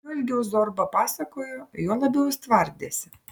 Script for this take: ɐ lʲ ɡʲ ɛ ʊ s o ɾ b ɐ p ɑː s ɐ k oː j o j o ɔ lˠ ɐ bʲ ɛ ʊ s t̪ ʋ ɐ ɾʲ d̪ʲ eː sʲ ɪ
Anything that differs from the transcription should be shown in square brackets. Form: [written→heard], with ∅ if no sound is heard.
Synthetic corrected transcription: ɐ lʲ ɡʲ ɛ ʊ [s→z] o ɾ b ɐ p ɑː s ɐ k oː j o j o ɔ lˠ ɐ bʲ ɛ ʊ s t̪ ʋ ɐ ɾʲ d̪ʲ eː sʲ ɪ